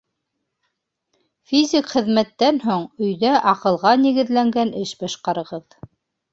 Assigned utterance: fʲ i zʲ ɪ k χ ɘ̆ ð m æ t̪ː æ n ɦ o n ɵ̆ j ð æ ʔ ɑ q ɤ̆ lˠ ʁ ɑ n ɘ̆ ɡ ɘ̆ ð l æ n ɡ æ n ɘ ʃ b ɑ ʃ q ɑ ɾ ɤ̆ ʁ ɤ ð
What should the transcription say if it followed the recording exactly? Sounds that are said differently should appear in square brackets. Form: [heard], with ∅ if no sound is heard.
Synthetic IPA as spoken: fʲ i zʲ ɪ k χ ɘ̆ ð m æ t̪ː æ n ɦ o [ɴ] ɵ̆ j ð æ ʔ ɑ q ɤ̆ lˠ ʁ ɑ n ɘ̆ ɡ ɘ̆ ð l æ [ŋ] ɡ æ n ɘ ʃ b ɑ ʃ q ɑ ɾ ɤ̆ ʁ ɤ ð